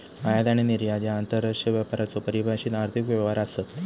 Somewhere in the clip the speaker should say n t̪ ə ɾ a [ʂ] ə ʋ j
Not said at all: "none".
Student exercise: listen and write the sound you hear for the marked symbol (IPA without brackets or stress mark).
ʂ